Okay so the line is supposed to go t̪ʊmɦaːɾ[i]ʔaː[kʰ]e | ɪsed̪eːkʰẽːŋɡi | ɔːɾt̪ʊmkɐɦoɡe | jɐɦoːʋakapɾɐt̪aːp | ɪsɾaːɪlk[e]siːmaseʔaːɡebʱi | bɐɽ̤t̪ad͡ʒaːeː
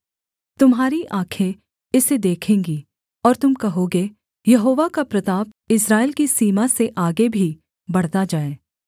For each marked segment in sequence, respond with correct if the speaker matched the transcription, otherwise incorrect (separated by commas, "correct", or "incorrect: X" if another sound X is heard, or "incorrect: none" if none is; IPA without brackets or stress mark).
correct, correct, incorrect: i